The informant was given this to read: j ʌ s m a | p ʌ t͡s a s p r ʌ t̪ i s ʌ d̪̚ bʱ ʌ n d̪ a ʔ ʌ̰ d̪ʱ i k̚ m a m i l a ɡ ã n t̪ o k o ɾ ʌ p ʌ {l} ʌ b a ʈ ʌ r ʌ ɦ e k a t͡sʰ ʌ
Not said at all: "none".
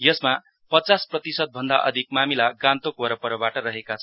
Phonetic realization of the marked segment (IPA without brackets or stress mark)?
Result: ɾ